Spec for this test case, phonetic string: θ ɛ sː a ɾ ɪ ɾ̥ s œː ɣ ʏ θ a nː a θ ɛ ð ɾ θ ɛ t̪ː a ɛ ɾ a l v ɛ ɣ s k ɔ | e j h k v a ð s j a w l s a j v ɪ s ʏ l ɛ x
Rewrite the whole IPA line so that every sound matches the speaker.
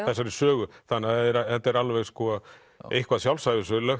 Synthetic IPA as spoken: θ ɛ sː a ɾ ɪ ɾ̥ s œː ɣ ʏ θ a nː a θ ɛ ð ɾ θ ɛ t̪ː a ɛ ɾ a l v ɛ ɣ s k ɔ | e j h k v a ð s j a w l s a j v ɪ s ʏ l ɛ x